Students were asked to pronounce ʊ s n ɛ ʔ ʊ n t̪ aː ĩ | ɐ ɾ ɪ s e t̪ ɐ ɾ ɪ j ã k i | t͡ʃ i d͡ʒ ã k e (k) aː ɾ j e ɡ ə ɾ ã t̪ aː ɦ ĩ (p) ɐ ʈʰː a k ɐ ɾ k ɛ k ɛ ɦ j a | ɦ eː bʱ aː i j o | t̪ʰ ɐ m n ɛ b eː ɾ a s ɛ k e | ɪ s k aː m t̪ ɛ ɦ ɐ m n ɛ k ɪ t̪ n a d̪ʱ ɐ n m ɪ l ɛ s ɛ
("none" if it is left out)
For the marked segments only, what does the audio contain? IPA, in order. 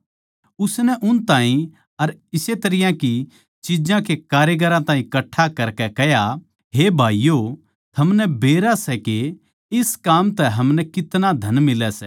k, k

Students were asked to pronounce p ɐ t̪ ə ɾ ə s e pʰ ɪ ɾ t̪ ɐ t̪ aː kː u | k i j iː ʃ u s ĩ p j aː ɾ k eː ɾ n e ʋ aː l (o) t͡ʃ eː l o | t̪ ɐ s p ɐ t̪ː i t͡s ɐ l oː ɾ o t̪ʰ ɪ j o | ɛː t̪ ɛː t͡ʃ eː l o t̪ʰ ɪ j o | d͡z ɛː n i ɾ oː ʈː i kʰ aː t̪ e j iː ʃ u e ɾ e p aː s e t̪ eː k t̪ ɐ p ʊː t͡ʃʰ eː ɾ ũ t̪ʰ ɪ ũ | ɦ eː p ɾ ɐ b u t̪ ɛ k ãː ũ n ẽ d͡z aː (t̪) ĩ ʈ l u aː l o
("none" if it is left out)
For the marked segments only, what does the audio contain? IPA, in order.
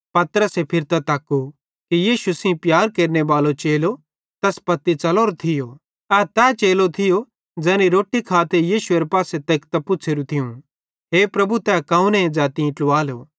o, t̪

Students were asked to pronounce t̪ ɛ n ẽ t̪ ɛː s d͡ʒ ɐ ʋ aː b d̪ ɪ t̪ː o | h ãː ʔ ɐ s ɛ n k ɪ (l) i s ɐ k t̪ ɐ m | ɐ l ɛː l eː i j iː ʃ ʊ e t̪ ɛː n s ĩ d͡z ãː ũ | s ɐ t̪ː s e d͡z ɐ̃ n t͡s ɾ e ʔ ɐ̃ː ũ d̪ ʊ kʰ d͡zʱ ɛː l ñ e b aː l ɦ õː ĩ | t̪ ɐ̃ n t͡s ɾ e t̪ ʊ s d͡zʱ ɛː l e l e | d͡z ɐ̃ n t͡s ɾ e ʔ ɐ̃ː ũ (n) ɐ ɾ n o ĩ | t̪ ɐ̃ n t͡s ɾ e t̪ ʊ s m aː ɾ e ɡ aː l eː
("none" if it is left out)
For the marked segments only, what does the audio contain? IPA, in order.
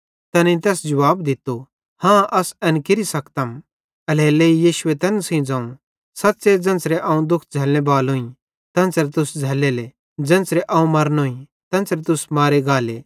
ɾ, m

